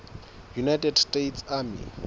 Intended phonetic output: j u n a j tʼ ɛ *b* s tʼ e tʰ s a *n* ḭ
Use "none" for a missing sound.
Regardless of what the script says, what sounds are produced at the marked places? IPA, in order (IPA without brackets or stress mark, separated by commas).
d, m